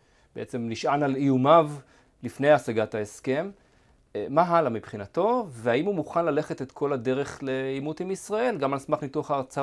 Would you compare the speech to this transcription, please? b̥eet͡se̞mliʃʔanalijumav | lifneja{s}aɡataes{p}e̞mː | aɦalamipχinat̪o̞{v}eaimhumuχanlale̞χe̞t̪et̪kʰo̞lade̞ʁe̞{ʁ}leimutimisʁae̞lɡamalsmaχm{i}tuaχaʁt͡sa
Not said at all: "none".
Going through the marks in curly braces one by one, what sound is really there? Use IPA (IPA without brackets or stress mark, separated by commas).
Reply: s, k, v, χ, i